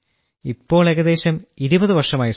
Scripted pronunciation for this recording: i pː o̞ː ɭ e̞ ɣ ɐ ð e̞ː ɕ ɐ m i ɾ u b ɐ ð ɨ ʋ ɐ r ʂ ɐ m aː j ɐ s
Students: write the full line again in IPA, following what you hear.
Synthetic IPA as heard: i pː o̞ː ɭ e̞ ɣ ɐ ð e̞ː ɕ ɐ m i ɾ u b ɐ ð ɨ ʋ ɐ r ʂ ɐ m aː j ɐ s